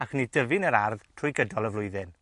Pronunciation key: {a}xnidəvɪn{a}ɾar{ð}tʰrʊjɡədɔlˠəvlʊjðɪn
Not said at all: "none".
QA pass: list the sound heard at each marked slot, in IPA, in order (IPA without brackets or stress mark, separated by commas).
a, ə, ð